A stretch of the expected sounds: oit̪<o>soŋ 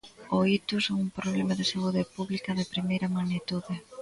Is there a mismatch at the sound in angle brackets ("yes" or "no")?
yes